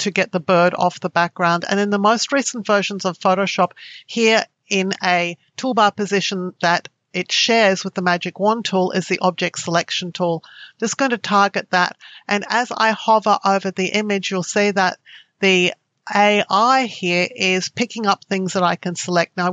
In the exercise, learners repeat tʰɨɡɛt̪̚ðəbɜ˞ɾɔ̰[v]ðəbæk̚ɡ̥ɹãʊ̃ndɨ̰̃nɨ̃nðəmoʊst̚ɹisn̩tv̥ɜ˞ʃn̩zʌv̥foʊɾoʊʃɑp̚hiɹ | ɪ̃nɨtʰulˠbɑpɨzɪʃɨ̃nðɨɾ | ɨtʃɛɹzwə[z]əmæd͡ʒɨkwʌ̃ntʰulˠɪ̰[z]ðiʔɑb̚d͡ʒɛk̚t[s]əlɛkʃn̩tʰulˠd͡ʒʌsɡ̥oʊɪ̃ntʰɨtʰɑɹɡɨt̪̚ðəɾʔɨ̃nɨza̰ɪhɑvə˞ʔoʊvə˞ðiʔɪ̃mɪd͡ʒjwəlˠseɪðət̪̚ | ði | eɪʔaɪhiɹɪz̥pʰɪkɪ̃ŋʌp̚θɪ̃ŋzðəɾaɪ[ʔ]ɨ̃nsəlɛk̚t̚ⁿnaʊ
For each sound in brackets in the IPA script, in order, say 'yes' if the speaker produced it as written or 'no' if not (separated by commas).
no, no, yes, yes, no